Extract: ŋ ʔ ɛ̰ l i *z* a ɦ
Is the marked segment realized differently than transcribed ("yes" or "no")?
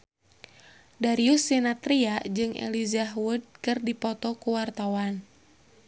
no